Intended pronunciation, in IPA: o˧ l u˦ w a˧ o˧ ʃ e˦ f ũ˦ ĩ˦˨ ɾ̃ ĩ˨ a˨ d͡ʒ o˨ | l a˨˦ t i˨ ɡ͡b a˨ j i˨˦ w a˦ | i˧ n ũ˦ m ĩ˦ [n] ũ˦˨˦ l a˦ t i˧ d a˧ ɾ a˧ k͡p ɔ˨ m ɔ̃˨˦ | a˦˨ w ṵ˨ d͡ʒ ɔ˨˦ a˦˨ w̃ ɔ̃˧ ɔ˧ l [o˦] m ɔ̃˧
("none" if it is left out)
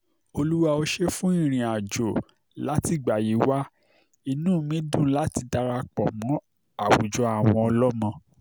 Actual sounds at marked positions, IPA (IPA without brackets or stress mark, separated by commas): d, ɔ˦